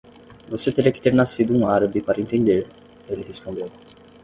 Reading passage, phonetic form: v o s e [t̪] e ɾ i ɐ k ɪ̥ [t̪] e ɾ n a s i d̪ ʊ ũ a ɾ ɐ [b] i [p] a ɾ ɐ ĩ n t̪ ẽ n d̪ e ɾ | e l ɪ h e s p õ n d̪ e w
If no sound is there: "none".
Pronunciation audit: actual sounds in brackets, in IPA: t̪, t̪, b, p

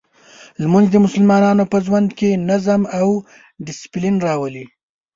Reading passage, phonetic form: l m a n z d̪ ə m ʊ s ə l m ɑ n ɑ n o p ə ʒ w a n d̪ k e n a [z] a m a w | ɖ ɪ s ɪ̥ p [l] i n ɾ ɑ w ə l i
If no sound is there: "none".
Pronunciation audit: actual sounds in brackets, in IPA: z, l

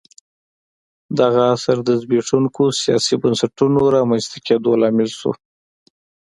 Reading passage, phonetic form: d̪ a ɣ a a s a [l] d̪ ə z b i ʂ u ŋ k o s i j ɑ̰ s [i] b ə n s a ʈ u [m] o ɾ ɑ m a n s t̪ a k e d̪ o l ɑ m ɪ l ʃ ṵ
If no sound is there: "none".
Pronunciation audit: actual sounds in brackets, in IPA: ɾ, i, n

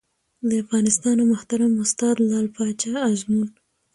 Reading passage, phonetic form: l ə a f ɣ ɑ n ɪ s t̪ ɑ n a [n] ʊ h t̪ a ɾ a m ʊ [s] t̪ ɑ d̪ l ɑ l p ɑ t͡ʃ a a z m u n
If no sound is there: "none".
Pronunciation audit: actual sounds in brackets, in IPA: m, s

